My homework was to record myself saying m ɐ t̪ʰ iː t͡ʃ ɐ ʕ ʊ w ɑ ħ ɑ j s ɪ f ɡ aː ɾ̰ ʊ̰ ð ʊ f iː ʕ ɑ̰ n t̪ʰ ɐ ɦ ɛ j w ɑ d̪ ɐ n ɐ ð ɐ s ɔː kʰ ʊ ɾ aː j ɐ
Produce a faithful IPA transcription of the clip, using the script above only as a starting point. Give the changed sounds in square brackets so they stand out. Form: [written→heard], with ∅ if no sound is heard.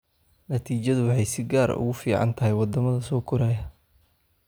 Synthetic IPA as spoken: [m→n] ɐ t̪ʰ iː t͡ʃ ɐ [ʕ→ð] ʊ w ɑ ħ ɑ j s ɪ [f→∅] ɡ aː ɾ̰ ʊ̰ [ð→ɣ] ʊ f iː ʕ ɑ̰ n t̪ʰ ɐ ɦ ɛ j w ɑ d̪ ɐ [n→m] ɐ ð ɐ s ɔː kʰ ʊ ɾ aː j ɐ